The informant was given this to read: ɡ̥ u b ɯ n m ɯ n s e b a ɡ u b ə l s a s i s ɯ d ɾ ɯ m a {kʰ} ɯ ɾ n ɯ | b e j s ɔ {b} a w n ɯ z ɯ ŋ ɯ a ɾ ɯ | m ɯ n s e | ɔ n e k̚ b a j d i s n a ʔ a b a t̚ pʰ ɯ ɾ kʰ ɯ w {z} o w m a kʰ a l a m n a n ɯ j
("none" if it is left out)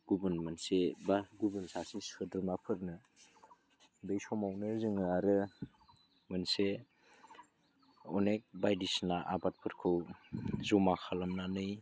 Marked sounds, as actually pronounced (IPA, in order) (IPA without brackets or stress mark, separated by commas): pʰ, m, z